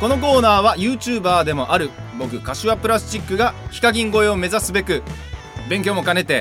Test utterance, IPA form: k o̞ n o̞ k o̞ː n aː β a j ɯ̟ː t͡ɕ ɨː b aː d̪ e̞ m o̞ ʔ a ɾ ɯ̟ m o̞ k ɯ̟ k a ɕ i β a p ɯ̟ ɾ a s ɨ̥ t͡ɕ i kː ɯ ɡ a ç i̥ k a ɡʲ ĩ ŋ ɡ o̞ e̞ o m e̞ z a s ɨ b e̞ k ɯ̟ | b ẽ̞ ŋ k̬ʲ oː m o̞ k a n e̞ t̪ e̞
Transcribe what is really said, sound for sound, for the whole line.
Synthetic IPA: k o̞ n o̞ k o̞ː n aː β a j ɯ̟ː t͡ɕ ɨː b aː d̪ e̞ m o̞ ʔ a ɾ ɯ̟ b o̞ k ɯ̟ k a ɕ i β a p ɯ̟ ɾ a s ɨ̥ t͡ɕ i kː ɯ ɡ a ç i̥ k a ɡʲ ĩ ŋ ɡ o̞ e̞ o m e̞ z a s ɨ b e̞ k ɯ̟ | b ẽ̞ ŋ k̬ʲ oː m o̞ k a n e̞ t̪ e̞